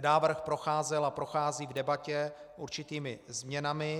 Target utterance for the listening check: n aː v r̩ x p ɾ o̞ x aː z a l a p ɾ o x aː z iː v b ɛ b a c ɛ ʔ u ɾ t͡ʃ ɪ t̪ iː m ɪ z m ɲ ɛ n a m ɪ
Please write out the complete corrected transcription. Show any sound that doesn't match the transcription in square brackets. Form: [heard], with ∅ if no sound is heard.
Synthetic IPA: n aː v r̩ x p ɾ o̞ x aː z [ɛ] l a p ɾ o x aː z iː v [d] ɛ b a c ɛ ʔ u ɾ t͡ʃ ɪ t̪ iː m ɪ z m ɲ ɛ n a m ɪ